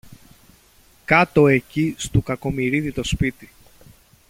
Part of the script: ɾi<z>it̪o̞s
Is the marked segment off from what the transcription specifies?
yes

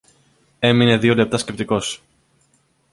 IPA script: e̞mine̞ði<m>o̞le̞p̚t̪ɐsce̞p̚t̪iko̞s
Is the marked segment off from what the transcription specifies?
yes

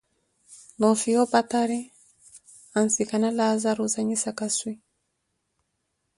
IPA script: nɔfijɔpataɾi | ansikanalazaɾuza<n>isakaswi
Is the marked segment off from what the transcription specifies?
yes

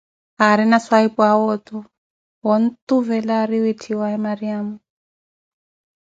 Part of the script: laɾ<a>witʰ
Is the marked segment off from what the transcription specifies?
yes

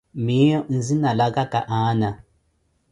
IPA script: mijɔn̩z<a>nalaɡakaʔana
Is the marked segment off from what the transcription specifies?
yes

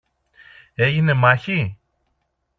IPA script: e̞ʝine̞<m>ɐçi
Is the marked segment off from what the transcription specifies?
no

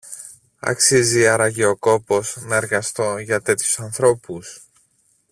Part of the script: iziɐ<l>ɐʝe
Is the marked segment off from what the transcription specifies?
yes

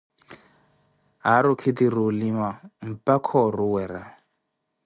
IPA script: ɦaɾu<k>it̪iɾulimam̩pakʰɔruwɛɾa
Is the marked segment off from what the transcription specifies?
yes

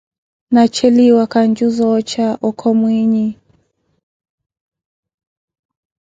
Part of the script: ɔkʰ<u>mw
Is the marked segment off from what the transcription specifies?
yes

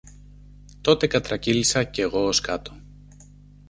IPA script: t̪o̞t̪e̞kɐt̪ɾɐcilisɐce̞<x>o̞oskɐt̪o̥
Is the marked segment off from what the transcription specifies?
yes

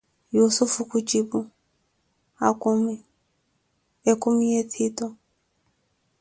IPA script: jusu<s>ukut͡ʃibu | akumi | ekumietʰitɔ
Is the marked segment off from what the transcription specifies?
yes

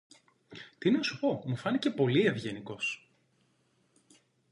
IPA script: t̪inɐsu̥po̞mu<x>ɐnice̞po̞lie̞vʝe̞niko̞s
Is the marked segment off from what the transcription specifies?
yes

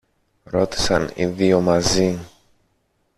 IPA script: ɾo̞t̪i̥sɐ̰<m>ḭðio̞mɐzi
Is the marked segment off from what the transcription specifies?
yes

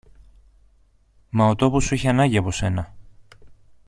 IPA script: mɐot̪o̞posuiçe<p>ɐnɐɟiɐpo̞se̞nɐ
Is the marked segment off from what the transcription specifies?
yes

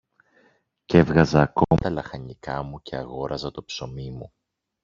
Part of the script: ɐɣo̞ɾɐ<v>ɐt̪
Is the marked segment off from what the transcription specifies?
yes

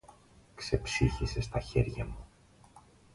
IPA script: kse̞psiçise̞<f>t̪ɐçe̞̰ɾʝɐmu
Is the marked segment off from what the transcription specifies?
yes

